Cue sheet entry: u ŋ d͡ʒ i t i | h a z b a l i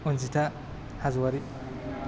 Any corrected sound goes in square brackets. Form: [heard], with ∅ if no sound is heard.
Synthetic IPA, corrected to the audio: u [n] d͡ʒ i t [a] | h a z [w] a [ɾ] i